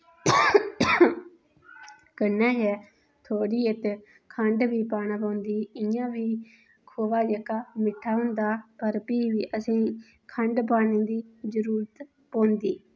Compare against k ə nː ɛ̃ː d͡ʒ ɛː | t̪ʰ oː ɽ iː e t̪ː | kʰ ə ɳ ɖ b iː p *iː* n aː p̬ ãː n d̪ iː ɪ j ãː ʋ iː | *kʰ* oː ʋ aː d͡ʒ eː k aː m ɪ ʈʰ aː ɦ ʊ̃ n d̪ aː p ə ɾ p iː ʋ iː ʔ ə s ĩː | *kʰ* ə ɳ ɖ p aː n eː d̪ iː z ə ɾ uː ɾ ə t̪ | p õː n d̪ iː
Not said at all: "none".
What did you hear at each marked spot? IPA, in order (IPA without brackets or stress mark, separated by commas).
aː, kʰ, kʰ